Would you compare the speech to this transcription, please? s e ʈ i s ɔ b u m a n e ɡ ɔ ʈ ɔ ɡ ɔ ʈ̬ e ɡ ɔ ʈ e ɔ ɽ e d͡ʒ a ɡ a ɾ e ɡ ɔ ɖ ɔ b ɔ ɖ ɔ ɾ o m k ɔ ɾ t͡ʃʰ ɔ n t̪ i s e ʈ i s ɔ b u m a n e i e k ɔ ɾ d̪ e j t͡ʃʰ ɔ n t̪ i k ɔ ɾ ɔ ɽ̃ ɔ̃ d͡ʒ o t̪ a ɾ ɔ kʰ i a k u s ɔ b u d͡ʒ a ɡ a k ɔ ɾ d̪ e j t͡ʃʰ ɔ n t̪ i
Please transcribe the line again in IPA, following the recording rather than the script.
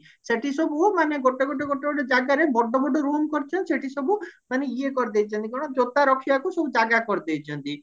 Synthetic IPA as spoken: s e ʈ i s ɔ b u m a n e ɡ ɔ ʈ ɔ ɡ ɔ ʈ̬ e ɡ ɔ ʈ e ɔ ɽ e d͡ʒ a ɡ a ɾ e b ɔ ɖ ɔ b ɔ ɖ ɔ ɾ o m k ɔ ɾ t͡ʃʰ ɔ n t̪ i s e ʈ i s ɔ b u m a n e i e k ɔ ɾ d̪ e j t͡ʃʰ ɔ n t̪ i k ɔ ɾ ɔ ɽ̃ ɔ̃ d͡ʒ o t̪ a ɾ ɔ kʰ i a k u s ɔ b u d͡ʒ a ɡ a k ɔ ɾ d̪ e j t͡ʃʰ ɔ n t̪ i